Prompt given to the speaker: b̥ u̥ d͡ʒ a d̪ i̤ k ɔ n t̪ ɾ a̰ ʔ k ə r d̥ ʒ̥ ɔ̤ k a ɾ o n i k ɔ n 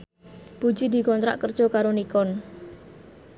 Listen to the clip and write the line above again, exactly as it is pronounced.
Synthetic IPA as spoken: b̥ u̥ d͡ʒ i d̪ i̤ k ɔ n t̪ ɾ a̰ ʔ k ə r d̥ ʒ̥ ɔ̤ k a ɾ o n i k ɔ n

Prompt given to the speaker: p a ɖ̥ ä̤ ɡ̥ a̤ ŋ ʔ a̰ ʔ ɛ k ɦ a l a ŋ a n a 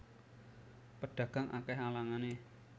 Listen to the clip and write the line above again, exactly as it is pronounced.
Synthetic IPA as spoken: p ə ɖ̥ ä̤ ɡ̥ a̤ ŋ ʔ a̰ k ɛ ɦ a l a ŋ a n e

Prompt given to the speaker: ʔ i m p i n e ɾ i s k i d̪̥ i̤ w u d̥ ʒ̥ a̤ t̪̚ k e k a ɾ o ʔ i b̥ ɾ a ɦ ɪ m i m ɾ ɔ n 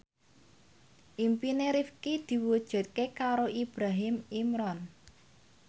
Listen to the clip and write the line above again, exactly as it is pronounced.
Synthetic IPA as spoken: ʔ i m p i n e ɾ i f k i d̪̥ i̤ w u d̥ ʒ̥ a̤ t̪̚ k e k a ɾ o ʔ i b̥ ɾ a ɦ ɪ m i m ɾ ɔ n

